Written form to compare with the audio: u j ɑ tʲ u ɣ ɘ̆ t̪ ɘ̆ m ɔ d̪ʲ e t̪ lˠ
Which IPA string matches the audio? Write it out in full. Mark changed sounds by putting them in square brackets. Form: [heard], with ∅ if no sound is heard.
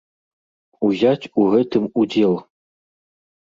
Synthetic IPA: u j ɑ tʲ u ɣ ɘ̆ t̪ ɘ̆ m [u] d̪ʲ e [∅] lˠ